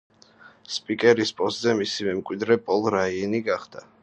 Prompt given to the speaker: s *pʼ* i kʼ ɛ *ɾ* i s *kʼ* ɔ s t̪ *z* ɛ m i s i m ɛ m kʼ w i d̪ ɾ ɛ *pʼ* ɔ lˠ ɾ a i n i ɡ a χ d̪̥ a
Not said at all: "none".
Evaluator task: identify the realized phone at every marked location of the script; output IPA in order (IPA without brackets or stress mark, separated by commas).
pʼ, ɾ, pʼ, z, pʼ